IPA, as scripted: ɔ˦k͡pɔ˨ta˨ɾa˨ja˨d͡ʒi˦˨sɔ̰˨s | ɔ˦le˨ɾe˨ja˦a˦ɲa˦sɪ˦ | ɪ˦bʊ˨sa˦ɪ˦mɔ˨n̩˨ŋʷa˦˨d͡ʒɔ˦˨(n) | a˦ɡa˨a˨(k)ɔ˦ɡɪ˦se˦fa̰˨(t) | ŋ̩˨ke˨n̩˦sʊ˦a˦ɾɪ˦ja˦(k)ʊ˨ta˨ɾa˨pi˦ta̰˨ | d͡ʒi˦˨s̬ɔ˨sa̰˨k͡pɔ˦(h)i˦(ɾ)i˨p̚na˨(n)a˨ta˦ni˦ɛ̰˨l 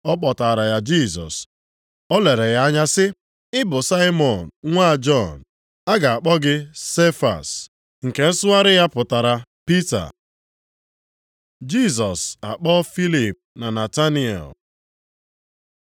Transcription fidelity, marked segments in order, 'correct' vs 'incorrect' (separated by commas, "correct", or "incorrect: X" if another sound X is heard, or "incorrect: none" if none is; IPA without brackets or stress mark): correct, incorrect: k͡p, incorrect: s, incorrect: p, incorrect: f, incorrect: l, correct